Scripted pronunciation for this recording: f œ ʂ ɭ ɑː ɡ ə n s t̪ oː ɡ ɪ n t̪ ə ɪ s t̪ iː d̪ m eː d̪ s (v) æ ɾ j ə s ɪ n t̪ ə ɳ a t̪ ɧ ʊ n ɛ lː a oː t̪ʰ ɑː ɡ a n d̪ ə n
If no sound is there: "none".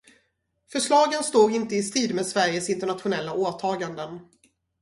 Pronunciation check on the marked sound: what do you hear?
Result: v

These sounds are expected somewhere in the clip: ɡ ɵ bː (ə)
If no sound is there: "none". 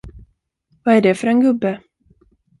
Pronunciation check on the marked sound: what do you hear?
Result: ə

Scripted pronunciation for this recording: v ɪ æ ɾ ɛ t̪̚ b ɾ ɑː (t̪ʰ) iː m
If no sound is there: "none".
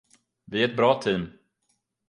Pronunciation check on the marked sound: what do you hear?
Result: t̪ʰ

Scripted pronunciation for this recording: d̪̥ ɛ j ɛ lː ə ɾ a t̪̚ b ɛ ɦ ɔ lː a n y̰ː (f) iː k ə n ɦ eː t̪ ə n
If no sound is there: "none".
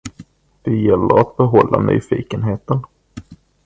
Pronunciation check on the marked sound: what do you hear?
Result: f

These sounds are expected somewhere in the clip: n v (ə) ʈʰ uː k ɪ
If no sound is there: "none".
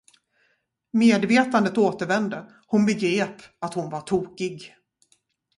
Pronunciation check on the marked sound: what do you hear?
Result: a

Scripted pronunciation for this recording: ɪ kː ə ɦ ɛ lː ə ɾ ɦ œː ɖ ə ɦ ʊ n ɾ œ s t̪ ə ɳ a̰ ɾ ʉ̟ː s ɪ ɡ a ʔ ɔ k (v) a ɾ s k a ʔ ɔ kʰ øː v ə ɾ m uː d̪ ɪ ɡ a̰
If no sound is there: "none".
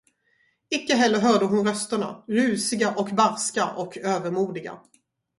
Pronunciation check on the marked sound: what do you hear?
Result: b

